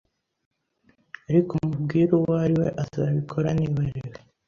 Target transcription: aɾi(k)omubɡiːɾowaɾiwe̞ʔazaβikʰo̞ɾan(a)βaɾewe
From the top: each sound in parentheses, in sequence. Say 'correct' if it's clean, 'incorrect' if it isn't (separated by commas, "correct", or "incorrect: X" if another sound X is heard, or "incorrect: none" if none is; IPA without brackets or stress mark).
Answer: correct, incorrect: i